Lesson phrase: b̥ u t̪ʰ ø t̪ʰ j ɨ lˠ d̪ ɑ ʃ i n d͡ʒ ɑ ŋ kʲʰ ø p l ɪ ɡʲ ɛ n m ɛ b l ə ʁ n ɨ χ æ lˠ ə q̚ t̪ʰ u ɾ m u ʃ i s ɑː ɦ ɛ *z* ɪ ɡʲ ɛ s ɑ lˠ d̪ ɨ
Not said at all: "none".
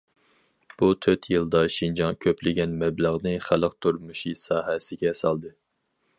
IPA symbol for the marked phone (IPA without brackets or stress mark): s